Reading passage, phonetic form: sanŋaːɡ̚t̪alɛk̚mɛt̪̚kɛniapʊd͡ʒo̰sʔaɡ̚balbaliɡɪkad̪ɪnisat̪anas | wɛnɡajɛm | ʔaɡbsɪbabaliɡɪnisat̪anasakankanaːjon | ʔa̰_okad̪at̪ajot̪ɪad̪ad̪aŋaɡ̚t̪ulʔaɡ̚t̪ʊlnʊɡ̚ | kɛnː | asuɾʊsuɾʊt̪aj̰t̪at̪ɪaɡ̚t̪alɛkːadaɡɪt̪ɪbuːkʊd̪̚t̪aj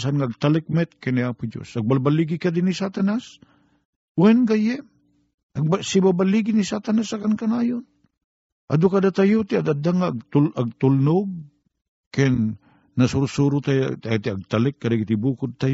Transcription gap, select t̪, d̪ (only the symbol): d̪